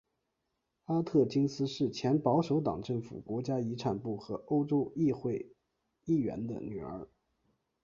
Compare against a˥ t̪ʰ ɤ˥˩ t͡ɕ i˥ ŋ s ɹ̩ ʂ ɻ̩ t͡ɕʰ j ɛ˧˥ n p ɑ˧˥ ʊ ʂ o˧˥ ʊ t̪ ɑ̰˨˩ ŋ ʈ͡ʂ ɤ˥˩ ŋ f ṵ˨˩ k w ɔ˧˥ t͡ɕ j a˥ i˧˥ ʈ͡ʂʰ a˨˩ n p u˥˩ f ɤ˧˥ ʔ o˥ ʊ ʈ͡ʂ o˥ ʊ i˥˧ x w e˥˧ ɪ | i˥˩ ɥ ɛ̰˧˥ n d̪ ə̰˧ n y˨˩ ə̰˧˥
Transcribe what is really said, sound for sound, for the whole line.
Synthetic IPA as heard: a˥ t̪ʰ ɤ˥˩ t͡ɕ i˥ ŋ s ɹ̩ ʂ ɻ̩ t͡ɕʰ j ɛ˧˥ n p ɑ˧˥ ʊ ʂ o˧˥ ʊ t̪ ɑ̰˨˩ ŋ ʈ͡ʂ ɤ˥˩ ŋ f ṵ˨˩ k w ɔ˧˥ t͡ɕ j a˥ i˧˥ ʈ͡ʂʰ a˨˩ n p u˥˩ x ɤ˧˥ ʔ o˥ ʊ ʈ͡ʂ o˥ ʊ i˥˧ x w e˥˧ ɪ | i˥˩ ɥ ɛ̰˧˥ n d̪ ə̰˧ n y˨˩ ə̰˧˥

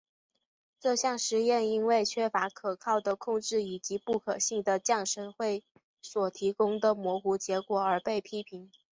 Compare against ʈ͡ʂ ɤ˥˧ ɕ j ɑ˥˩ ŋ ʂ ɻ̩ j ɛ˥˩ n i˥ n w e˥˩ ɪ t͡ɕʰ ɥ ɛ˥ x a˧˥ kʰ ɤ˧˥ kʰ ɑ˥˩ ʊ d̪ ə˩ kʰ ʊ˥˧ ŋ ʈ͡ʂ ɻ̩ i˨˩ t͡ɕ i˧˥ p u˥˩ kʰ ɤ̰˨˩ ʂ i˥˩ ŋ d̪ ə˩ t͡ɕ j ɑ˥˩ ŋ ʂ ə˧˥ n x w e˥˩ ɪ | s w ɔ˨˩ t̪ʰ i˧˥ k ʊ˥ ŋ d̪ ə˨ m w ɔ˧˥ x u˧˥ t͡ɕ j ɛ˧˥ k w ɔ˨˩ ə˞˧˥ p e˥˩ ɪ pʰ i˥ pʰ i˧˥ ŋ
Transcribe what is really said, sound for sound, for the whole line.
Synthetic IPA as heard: ʈ͡ʂ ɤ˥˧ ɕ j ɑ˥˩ ŋ ʂ ɻ̩ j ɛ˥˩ n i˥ n w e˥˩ ɪ t͡ɕʰ ɥ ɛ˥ f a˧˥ kʰ ɤ˨˩ kʰ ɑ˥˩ ʊ d̪ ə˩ kʰ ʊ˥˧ ŋ ʈ͡ʂ ɻ̩ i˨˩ t͡ɕ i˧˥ p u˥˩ kʰ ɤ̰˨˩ ɕ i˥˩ ŋ d̪ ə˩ t͡ɕ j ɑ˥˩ ŋ ʂ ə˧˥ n x w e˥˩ ɪ | s w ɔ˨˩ t̪ʰ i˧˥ k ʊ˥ ŋ d̪ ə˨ m w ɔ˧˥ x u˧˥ t͡ɕ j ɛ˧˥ k w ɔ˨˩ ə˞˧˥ p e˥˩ ɪ pʰ i˥ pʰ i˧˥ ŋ

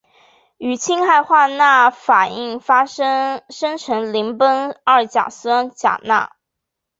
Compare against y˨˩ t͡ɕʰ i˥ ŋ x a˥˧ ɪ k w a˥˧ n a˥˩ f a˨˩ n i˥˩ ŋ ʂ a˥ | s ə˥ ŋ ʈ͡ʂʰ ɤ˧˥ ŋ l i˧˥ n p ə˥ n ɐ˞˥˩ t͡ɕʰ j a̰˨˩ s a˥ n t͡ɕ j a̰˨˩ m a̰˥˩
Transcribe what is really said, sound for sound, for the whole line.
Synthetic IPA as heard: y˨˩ t͡ɕʰ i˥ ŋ x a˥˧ ɪ x w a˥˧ n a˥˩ f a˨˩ n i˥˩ ŋ f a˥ | ʂ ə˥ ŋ ʈ͡ʂʰ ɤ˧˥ ŋ l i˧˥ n p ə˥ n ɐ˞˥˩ t͡ɕ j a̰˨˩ s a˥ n t͡ɕ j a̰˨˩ n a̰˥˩

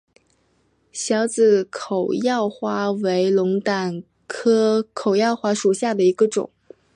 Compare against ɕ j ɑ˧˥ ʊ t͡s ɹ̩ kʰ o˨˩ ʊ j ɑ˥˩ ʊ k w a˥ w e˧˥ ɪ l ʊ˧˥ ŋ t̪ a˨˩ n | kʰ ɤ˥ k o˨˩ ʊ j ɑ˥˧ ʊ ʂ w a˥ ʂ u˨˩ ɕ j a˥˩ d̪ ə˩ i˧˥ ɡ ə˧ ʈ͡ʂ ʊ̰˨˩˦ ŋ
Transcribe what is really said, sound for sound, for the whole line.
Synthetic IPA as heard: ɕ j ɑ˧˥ ʊ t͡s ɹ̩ kʰ o˨˩ ʊ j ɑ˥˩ ʊ x w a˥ w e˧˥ ɪ l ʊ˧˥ ŋ t̪ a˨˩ n | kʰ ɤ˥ kʰ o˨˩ ʊ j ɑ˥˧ ʊ x w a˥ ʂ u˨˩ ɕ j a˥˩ d̪ ə˩ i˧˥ ɡ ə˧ ʈ͡ʂ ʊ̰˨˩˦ ŋ

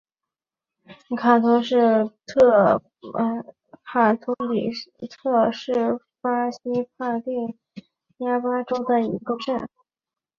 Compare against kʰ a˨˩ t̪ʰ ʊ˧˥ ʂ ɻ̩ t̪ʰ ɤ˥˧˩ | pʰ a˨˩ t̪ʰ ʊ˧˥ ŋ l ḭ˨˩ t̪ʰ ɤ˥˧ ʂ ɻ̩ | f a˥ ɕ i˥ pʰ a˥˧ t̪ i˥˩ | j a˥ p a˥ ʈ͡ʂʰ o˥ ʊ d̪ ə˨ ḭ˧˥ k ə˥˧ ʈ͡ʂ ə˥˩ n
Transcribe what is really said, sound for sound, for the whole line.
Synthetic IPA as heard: kʰ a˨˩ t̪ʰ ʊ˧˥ ʂ ɻ̩ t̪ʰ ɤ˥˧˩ | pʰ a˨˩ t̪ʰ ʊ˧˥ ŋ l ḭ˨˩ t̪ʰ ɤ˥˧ ʂ ɻ̩ | f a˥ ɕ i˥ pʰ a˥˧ t̪ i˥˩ | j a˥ p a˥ ʈ͡ʂ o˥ ʊ d̪ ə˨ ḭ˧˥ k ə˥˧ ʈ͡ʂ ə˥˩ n

